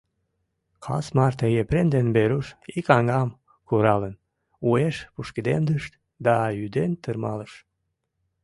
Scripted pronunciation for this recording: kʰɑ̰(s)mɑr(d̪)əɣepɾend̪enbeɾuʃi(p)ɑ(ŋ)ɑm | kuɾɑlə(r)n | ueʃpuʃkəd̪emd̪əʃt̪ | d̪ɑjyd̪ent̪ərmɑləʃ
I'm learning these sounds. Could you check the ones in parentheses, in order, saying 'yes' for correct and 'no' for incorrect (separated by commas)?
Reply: yes, no, no, yes, no